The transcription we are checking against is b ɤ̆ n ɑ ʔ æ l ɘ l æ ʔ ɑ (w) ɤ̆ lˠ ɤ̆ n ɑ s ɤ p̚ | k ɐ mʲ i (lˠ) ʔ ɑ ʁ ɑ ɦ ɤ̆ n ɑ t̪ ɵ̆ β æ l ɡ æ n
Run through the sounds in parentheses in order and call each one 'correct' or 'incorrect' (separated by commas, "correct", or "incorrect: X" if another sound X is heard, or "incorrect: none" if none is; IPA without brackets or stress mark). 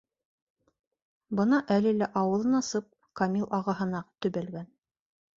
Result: correct, correct